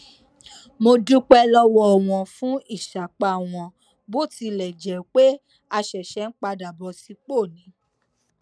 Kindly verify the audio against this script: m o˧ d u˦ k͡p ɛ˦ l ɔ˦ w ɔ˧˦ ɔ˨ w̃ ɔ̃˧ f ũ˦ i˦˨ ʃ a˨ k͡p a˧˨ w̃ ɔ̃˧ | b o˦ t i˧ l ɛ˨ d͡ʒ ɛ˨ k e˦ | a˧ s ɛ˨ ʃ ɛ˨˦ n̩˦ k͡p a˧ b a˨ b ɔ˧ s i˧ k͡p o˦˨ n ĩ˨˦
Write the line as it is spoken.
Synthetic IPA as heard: m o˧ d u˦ k͡p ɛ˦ l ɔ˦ w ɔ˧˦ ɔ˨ w̃ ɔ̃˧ f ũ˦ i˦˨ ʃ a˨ k͡p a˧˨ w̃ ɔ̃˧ | b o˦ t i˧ l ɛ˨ d͡ʒ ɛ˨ k͡p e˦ | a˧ ʃ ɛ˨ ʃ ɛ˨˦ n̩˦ k͡p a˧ d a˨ b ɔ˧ s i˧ k͡p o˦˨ n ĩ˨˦